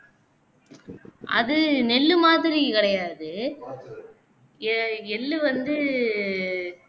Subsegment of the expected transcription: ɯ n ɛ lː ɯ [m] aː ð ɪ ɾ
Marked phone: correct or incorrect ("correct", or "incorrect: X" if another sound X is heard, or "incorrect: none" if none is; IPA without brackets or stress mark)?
correct